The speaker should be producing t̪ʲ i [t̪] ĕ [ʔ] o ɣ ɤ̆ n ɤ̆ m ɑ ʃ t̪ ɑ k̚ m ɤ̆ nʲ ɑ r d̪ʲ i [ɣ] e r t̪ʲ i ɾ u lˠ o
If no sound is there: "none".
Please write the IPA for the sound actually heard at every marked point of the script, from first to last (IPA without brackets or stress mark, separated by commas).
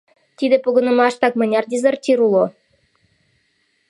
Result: d̪, p, z